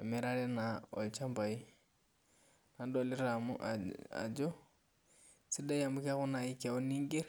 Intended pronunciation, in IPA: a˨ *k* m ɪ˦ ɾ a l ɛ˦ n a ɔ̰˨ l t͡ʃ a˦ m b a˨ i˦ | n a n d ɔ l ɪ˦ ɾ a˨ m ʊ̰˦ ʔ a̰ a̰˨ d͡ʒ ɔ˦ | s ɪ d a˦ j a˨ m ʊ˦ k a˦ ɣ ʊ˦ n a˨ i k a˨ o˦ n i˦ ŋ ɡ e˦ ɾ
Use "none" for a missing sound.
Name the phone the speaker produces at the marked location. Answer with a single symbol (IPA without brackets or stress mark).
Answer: none